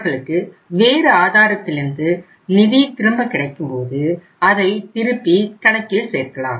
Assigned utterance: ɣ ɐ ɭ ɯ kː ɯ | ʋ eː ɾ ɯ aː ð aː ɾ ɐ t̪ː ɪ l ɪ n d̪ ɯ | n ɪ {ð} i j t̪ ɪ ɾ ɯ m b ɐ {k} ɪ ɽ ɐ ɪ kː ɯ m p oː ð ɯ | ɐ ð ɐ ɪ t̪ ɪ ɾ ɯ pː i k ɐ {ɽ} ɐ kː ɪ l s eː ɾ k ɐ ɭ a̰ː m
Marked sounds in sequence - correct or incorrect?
correct, correct, correct

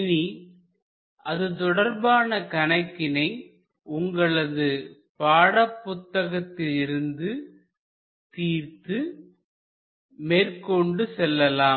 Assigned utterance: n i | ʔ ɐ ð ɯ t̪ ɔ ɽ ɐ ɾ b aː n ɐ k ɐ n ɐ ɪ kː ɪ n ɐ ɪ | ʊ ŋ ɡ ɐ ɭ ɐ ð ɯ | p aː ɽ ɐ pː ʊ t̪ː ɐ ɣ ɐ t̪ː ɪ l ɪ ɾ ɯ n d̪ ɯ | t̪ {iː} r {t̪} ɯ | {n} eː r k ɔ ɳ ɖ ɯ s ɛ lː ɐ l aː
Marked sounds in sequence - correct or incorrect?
correct, correct, incorrect

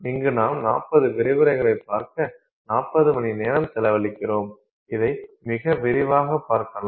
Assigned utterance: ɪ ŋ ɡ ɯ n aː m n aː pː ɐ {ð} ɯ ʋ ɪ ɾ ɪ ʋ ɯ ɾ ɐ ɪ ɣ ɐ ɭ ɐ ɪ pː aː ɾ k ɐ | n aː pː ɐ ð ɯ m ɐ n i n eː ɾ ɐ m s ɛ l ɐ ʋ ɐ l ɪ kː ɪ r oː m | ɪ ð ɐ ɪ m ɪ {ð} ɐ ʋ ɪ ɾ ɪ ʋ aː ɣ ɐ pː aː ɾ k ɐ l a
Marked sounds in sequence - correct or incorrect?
correct, incorrect

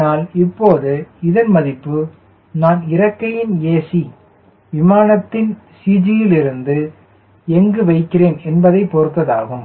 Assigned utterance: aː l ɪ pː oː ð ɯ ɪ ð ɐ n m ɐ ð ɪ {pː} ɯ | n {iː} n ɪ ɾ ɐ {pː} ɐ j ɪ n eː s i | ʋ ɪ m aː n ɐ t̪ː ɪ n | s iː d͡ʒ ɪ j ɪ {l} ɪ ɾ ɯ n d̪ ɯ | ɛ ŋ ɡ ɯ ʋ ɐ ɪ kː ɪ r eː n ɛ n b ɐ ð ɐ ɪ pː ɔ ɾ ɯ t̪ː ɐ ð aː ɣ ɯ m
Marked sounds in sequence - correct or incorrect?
correct, incorrect, incorrect, correct

